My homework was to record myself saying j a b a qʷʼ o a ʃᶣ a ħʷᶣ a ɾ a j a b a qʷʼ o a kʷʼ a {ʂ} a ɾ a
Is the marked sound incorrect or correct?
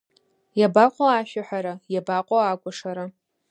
correct